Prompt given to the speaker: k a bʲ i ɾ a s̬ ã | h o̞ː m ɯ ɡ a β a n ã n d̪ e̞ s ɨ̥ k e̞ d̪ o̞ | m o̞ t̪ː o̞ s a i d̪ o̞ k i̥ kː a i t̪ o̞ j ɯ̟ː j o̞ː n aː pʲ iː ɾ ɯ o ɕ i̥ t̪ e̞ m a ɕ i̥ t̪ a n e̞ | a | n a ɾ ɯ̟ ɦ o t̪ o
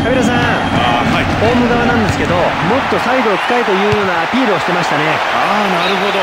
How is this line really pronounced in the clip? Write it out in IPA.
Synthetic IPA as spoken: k a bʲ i ɾ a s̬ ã | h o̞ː m ɯ ɡ a β a n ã n d̪ e̞ s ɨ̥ k e̞ d̪ o̞ | m o̞ t̪ː o̞ s a i d̪ o̞ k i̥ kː a i t̪ o̞ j ɯ̟ː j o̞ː n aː pʲ iː ɾ ɯ o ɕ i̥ t̪ e̞ m a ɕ i̥ t̪ a n e̞ | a | n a ɾ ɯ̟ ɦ o d̪ o

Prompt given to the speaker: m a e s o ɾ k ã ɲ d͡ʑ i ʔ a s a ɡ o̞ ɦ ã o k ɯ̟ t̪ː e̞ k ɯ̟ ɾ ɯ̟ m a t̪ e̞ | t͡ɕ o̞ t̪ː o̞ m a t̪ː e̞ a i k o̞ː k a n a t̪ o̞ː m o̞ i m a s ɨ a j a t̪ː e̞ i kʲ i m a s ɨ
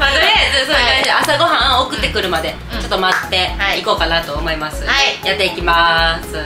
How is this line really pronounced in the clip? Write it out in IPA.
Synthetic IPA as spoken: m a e s o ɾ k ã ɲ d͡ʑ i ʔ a s a ɡ o̞ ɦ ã o k ɯ̟ t̪ː e̞ k ɯ̟ ɾ ɯ̟ m a d̪ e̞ | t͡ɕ o̞ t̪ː o̞ m a t̪ː e̞ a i k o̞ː k a n a t̪ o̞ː m o̞ i m a s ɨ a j a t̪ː e̞ i kʲ i m a s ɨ

